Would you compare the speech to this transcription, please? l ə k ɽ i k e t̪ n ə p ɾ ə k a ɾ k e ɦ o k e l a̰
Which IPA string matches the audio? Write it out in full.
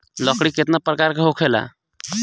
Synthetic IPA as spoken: l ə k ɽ i k e t̪ n a p ɾ ə k a ɾ k e ɦ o kʰ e l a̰